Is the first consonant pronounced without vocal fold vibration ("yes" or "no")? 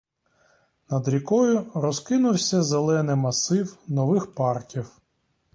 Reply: no